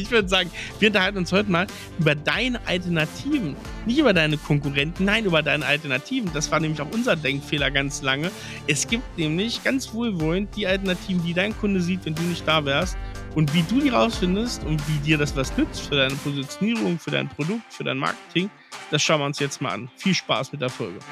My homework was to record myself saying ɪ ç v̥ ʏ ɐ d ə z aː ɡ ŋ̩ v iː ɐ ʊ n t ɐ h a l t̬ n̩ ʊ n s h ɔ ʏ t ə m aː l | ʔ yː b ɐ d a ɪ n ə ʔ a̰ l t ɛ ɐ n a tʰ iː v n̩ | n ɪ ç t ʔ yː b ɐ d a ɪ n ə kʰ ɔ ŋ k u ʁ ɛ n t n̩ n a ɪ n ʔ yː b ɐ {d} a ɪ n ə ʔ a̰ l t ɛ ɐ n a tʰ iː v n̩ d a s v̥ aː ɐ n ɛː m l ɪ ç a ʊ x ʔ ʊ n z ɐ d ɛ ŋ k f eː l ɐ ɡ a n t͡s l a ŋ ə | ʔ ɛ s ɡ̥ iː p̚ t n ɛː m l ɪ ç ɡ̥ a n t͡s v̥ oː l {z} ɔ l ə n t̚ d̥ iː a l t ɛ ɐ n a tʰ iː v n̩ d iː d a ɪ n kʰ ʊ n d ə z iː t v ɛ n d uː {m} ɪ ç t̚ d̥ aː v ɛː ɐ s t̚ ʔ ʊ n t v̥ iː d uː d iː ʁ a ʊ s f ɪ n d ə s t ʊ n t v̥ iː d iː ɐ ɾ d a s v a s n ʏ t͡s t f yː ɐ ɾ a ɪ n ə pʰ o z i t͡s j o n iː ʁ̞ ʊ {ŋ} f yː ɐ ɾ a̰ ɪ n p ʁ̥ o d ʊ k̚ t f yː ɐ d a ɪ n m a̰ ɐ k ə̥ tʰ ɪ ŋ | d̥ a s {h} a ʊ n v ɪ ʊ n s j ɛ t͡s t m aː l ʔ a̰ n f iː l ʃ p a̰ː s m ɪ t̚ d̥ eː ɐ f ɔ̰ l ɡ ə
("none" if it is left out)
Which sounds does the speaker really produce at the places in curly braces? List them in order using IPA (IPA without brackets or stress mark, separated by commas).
d, v, n, ŋ, ʃ